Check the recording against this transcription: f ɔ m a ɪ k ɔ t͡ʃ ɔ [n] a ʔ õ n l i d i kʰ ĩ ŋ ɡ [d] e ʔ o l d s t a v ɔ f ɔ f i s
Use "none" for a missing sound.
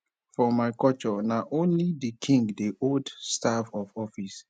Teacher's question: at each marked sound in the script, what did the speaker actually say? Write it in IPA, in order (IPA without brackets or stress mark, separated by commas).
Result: n, d